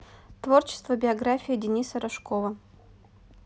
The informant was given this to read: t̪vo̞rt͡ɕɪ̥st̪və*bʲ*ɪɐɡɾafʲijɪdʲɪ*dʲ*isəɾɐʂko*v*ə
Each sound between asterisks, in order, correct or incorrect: correct, incorrect: nʲ, correct

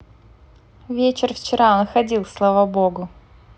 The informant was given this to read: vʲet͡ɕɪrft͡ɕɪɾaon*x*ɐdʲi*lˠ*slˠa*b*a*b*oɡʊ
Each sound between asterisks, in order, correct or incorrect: correct, correct, incorrect: v, correct

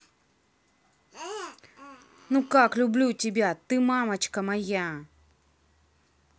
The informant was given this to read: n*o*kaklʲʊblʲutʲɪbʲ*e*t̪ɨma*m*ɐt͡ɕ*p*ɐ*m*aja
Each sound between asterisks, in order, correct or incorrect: incorrect: u, incorrect: a, correct, incorrect: k, correct

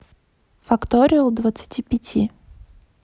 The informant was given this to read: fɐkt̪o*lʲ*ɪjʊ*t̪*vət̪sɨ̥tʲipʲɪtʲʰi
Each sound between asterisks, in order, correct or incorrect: incorrect: ɾʲ, incorrect: d̪

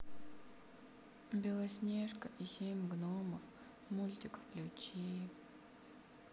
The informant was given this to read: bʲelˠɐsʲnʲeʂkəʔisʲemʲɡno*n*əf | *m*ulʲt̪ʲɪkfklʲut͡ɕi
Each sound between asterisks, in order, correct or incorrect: incorrect: m, correct

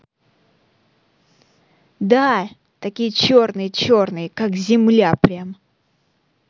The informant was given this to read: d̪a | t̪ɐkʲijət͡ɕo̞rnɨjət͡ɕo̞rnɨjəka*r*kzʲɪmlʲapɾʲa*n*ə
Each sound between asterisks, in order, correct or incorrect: incorrect: none, incorrect: m

